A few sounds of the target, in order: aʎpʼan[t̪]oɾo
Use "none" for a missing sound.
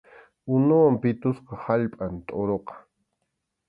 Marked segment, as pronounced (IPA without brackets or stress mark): t̪ʼ